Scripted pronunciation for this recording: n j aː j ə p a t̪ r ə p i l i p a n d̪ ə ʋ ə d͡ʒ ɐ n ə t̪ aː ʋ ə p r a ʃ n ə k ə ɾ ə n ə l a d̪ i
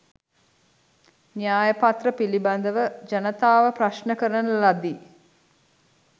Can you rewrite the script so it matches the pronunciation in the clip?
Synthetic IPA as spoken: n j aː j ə p a t̪ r ə p i l i b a n d̪ ə ʋ ə d͡ʒ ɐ n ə t̪ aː ʋ ə p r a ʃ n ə k ə ɾ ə n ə l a d̪ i